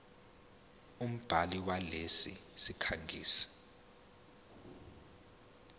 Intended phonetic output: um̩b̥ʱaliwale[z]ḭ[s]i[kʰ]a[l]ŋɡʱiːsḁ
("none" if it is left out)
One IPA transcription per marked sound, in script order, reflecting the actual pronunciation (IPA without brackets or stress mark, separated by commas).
s, s, kʰ, none